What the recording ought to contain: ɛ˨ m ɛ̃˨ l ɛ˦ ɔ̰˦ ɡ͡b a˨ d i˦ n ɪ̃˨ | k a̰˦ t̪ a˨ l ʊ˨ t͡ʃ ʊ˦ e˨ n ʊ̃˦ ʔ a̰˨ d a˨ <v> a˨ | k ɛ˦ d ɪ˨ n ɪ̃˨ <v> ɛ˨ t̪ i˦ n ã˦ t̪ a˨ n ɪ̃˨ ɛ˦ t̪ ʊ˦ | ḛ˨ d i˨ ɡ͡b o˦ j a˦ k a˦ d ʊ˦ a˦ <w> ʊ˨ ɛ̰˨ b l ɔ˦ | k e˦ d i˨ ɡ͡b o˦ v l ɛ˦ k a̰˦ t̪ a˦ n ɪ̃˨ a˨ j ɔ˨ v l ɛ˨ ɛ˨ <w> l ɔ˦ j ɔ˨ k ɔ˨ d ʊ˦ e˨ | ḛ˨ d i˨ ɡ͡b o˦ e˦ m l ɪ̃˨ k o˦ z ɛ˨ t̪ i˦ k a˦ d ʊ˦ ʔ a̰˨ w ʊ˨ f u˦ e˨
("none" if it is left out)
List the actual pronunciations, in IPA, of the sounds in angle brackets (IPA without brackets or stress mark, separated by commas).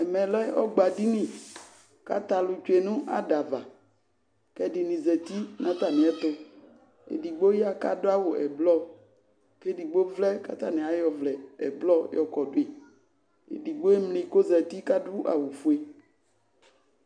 v, z, w, b